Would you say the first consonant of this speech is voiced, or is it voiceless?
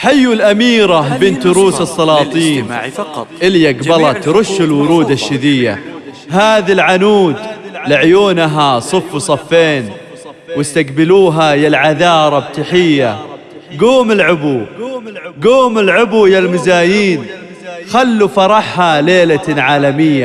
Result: voiceless